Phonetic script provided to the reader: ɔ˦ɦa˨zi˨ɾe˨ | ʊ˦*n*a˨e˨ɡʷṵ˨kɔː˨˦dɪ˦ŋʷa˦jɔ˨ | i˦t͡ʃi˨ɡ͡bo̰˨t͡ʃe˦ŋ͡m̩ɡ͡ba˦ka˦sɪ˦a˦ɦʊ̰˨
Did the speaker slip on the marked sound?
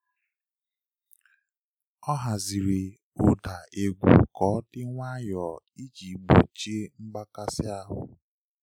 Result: yes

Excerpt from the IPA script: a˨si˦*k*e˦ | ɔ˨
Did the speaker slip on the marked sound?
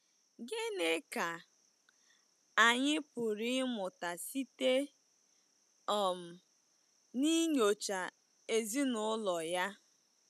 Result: yes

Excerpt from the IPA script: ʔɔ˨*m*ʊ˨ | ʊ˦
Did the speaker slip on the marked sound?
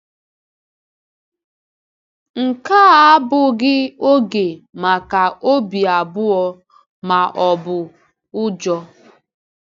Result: yes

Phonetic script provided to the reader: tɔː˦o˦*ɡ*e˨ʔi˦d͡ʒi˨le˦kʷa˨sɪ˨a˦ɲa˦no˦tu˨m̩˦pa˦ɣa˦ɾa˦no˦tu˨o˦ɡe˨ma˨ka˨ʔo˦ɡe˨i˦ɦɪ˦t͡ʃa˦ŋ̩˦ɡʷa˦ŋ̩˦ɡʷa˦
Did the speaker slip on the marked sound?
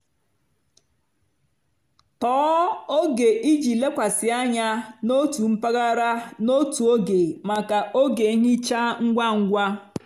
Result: no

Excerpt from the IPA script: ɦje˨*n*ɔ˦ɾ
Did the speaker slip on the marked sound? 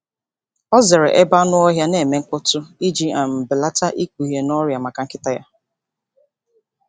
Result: no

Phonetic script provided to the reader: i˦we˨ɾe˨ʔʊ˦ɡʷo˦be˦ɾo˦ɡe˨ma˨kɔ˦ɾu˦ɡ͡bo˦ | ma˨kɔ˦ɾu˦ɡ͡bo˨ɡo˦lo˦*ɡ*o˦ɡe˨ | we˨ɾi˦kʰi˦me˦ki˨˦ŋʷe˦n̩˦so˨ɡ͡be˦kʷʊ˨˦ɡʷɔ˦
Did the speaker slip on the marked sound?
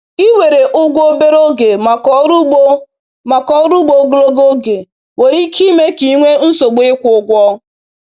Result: no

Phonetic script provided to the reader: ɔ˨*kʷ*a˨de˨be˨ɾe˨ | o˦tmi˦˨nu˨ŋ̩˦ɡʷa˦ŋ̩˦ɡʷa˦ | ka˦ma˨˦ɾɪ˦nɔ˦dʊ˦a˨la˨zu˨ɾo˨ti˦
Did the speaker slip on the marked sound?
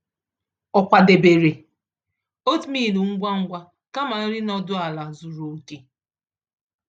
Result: no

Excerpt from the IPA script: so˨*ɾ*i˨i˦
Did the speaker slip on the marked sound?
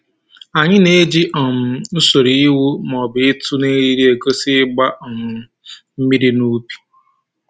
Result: no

